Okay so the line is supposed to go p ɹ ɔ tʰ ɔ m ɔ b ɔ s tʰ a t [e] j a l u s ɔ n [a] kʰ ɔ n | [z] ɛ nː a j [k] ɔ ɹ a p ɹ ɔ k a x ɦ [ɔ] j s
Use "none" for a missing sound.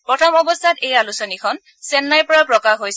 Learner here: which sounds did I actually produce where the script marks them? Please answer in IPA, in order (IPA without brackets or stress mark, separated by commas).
e, i, s, p, o